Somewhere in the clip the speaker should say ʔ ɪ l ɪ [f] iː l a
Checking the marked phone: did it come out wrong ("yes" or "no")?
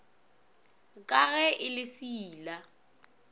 yes